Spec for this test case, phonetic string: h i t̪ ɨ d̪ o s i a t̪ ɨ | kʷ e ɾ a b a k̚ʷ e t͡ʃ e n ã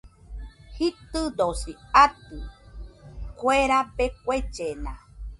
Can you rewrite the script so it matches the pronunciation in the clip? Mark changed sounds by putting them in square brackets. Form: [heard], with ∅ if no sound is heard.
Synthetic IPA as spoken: h i t̪ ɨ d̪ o s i a t̪ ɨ | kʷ e ɾ a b [e] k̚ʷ e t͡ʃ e n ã